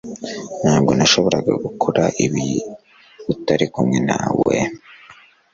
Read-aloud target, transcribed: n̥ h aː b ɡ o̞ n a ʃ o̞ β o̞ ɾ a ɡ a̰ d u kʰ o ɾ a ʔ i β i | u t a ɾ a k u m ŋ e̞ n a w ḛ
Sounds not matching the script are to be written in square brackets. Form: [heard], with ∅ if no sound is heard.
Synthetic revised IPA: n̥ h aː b ɡ o̞ n a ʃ o̞ β o̞ ɾ a ɡ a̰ [ɡ] u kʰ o ɾ a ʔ i β i | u t a ɾ [i] k u m ŋ e̞ n a w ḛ